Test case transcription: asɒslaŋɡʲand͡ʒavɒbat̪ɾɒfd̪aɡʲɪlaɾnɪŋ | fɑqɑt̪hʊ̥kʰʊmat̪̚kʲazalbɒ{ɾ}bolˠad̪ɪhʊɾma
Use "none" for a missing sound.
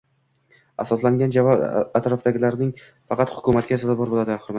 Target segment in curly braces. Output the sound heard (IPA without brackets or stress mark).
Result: ɾ